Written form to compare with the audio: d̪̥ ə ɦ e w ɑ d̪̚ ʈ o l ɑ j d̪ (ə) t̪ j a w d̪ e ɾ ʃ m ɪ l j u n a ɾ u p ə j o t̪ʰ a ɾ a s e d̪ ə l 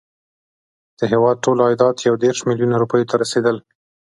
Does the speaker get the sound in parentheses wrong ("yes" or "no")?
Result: yes